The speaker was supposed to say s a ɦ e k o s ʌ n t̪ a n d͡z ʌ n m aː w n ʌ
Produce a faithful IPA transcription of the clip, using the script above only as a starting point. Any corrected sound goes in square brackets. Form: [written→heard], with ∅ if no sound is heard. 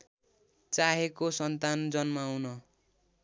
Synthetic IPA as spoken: [s→t͡s] a ɦ e k o s ʌ n t̪ a n d͡z ʌ n m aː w n ʌ